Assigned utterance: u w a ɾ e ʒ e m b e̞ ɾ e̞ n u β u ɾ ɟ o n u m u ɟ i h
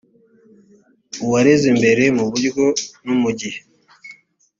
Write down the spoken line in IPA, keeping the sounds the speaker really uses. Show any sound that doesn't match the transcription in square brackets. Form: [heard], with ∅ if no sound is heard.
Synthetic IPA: u w a ɾ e [z] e m b e̞ ɾ e̞ [m] u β u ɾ [ɡ] o n u m u ɟ i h

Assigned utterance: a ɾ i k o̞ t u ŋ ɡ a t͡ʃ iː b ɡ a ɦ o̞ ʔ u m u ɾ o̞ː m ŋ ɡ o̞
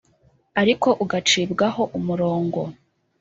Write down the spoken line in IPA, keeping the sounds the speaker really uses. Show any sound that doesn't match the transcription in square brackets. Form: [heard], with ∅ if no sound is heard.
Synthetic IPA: a ɾ i k o̞ [ʔ] u [∅] ɡ a t͡ʃ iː b ɡ a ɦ o̞ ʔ u m u ɾ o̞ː [∅] ŋ ɡ o̞

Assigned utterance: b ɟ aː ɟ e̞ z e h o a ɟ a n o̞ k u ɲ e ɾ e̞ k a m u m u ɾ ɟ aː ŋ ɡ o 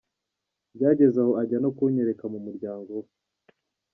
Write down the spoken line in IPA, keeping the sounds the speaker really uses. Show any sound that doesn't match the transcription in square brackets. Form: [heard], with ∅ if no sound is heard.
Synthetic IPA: b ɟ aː ɟ e̞ z [a] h o a ɟ a n o̞ k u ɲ e ɾ e̞ k a m u m u ɾ ɟ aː ŋ ɡ o

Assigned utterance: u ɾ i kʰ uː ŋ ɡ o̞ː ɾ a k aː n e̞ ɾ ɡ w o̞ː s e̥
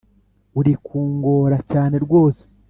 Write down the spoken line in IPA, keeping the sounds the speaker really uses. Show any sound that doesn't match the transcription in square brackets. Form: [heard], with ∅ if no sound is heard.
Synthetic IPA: u ɾ i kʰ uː ŋ ɡ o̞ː ɾ a [c] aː n e̞ ɾ ɡ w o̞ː s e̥

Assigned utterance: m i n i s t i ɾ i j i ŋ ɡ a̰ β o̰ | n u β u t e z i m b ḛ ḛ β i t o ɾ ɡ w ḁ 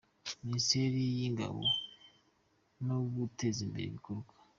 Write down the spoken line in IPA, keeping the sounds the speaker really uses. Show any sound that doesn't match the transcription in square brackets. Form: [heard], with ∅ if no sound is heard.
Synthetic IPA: m i n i s t [e] ɾ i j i ŋ ɡ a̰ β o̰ | n [o] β u t e z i m b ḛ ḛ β i [k] o ɾ ɡ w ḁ

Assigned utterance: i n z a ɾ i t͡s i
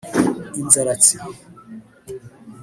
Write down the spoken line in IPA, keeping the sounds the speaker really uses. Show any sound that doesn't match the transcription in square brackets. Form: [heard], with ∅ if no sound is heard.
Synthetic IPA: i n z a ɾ [a] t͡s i

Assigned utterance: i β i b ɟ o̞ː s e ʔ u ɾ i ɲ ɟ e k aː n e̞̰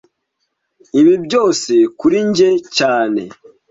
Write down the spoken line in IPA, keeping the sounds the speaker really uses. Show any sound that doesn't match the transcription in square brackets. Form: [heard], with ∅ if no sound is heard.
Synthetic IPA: i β i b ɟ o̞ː s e [k] u ɾ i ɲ ɟ e [c] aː n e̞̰

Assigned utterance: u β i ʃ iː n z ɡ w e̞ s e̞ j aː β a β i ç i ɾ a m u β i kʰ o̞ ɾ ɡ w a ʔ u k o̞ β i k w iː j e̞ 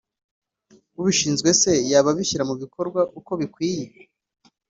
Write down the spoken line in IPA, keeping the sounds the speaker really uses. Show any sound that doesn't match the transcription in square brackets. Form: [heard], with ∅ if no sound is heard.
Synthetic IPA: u β i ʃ iː n z ɡ w e̞ s e̞ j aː β a β i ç i ɾ a m u β i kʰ o̞ ɾ ɡ w a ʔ u k o̞ β i k w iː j e̞

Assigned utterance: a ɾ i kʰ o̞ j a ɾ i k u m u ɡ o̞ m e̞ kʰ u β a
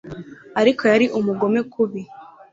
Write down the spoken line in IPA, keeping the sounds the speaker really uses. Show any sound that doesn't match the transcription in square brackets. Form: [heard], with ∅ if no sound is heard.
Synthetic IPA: a ɾ i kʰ o̞ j a ɾ i [ʔ] u m u ɡ o̞ m e̞ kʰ u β [i]

